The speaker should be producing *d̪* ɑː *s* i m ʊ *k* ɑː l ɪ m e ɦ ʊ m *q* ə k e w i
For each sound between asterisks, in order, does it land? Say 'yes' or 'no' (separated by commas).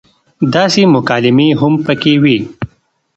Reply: yes, yes, yes, no